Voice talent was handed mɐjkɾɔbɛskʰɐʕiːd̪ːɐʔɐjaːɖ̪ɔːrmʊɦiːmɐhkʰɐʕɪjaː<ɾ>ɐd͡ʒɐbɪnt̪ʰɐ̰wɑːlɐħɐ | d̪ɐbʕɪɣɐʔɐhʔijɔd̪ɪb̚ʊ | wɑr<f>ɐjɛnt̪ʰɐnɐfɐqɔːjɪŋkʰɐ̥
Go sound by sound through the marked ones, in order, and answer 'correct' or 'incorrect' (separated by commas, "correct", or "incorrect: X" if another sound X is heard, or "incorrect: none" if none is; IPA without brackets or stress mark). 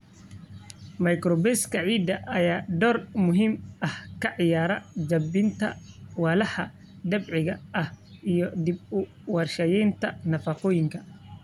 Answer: correct, incorrect: ʃ